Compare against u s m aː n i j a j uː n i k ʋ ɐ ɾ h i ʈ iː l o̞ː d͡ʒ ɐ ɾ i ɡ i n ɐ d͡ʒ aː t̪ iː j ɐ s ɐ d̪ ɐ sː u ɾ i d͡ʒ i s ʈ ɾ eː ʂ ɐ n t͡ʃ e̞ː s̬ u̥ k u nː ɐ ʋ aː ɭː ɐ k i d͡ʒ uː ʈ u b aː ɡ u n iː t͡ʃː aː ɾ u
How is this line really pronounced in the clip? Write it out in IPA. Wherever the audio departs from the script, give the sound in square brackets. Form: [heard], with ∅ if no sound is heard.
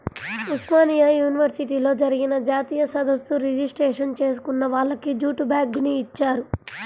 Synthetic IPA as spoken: u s m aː n i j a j uː n i [∅] ʋ ɐ ɾ [s] i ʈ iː l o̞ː d͡ʒ ɐ ɾ i ɡ i n ɐ d͡ʒ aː t̪ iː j ɐ s ɐ d̪ ɐ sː u ɾ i d͡ʒ i s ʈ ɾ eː ʂ ɐ n t͡ʃ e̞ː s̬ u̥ k u nː ɐ ʋ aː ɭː ɐ k i d͡ʒ uː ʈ u b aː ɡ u n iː t͡ʃː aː ɾ u